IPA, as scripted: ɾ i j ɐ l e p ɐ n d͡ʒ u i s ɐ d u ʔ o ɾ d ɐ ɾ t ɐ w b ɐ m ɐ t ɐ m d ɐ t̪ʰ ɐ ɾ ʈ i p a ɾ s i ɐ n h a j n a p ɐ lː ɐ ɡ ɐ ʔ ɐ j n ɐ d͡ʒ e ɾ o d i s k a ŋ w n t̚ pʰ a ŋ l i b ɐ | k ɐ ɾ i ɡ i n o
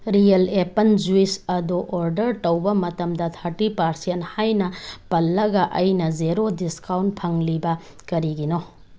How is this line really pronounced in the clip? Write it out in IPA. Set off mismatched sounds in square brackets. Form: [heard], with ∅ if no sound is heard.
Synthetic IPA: ɾ i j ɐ l e p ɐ n d͡ʒ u i s ɐ d u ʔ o ɾ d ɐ ɾ t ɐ w b ɐ m ɐ t ɐ m d ɐ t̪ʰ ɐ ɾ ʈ i p a ɾ s i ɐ n h a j n [ɐ] p ɐ lː ɐ ɡ ɐ ʔ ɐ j n ɐ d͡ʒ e ɾ o d i s k a [∅] w n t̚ pʰ [ɐ] ŋ l i b ɐ | k ɐ ɾ i ɡ i n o